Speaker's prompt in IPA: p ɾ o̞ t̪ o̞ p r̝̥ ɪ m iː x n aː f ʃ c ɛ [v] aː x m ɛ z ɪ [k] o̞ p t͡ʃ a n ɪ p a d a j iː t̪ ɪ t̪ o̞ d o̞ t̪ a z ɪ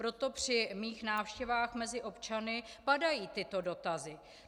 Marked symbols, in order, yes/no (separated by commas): yes, no